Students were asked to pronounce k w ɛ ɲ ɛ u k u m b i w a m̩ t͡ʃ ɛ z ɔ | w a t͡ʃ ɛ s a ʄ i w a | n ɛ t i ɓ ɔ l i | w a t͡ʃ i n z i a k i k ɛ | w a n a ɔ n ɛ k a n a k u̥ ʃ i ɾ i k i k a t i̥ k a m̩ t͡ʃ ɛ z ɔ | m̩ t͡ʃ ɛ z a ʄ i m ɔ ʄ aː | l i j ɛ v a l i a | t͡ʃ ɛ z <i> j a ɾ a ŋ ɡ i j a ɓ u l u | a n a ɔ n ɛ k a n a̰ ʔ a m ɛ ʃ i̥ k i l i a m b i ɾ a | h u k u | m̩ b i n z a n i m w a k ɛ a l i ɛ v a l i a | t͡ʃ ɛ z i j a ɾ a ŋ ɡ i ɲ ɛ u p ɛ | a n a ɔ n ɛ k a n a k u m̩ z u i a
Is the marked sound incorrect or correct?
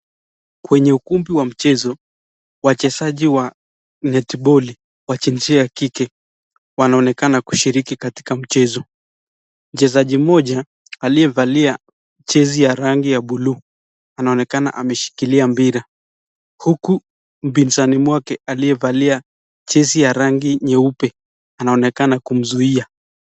correct